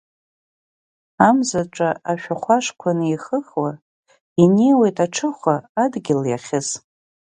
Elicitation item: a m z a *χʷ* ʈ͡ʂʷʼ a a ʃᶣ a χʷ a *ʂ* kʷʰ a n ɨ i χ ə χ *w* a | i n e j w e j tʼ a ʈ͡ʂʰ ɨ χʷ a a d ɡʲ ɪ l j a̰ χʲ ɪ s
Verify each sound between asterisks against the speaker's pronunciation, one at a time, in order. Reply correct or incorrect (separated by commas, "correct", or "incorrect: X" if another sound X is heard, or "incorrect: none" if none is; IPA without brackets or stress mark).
incorrect: none, correct, correct